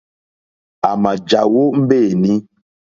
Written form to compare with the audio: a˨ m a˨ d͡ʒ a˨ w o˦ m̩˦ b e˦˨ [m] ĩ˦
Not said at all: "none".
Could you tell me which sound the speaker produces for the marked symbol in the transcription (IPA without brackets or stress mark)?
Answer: n